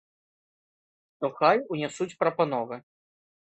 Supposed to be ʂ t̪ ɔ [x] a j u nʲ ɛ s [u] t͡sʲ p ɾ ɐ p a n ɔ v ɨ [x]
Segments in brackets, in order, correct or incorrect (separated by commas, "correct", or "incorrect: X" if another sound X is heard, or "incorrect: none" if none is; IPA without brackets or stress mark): correct, correct, incorrect: none